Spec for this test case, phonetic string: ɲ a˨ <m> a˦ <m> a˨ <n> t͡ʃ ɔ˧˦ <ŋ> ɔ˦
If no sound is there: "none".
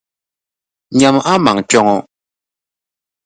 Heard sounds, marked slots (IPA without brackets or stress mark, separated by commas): m, m, ŋ, ŋ